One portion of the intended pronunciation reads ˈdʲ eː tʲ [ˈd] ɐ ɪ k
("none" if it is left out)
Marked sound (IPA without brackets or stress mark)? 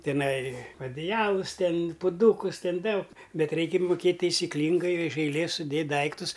d